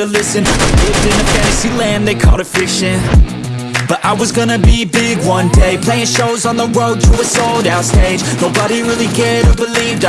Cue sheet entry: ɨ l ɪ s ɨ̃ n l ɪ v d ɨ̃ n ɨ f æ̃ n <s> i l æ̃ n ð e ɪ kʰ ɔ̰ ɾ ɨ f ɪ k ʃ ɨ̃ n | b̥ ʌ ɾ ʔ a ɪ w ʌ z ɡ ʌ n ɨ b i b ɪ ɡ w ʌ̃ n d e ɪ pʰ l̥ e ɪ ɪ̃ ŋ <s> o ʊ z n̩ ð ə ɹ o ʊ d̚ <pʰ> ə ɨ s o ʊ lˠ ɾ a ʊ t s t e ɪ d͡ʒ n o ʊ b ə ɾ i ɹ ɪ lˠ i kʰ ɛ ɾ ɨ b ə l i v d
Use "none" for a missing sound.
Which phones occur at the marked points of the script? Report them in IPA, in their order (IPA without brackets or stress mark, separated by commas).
s, ʃ, tʰ